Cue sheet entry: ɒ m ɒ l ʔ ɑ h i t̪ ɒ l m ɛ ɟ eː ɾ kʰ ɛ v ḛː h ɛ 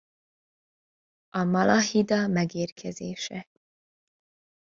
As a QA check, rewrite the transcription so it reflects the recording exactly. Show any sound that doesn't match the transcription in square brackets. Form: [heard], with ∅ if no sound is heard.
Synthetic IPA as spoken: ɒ m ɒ l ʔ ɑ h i [d̪] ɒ [∅] m ɛ [ɡ] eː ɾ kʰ ɛ [z] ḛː [ʃ] ɛ